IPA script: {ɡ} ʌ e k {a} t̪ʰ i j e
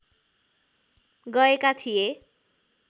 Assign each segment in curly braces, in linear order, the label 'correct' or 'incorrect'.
correct, correct

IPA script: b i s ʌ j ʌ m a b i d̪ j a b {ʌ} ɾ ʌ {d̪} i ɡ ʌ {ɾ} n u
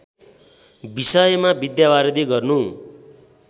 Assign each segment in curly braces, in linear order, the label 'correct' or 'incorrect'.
incorrect: a, correct, incorrect: r

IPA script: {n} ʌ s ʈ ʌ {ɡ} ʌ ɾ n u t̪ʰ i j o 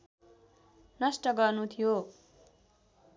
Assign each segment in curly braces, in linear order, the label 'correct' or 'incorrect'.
correct, correct

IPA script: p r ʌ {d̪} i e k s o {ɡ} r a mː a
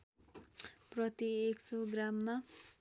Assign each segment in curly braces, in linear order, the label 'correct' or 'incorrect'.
incorrect: t̪, correct

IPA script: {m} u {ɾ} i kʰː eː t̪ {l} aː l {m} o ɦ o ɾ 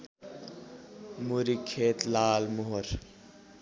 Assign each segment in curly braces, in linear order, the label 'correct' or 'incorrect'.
correct, correct, correct, correct

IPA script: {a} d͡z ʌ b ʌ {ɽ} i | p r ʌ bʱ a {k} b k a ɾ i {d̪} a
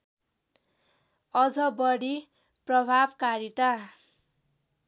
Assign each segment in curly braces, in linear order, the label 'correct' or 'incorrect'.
incorrect: ʌ, correct, incorrect: none, incorrect: t̪

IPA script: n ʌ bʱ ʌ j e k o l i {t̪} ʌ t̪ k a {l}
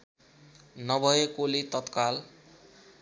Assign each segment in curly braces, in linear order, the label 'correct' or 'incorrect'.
correct, correct

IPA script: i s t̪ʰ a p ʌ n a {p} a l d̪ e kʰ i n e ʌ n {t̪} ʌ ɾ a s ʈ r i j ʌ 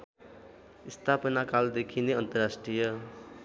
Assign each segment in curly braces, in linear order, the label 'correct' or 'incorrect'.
incorrect: k, correct

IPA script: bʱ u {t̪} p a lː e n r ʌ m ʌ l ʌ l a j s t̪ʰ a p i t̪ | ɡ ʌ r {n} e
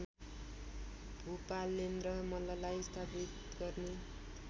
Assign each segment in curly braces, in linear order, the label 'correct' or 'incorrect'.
incorrect: none, correct

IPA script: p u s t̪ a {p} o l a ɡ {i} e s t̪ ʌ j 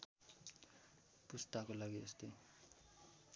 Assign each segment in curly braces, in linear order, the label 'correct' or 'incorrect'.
incorrect: k, correct

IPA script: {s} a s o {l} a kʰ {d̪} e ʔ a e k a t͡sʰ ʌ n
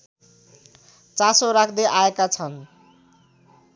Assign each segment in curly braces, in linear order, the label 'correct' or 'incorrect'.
incorrect: t͡s, incorrect: ɾ, correct

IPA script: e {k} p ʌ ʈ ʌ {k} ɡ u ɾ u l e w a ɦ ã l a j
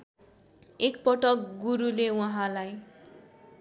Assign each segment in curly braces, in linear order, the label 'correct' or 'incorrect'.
correct, correct

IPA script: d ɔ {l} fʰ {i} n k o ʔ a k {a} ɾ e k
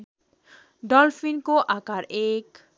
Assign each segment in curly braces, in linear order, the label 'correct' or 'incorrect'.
correct, correct, correct

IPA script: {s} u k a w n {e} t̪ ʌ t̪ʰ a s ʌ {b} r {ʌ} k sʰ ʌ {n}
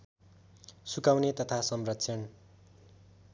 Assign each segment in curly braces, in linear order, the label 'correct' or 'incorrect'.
correct, correct, incorrect: m, correct, correct

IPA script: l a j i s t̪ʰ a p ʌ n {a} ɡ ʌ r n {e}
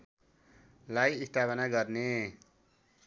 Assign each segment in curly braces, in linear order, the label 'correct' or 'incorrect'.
correct, correct

